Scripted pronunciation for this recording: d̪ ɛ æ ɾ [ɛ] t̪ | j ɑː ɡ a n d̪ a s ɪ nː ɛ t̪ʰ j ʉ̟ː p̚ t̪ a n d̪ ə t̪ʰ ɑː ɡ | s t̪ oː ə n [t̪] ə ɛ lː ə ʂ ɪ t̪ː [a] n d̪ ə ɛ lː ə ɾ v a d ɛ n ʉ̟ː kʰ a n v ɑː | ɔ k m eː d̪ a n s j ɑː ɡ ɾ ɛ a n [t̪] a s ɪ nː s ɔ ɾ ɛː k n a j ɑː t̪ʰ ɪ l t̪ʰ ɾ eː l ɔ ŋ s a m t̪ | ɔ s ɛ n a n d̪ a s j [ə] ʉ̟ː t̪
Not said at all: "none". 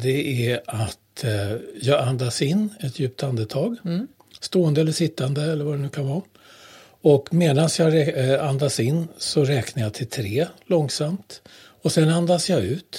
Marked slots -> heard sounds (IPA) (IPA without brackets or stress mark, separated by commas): a, d̪, a, d̪, ɑ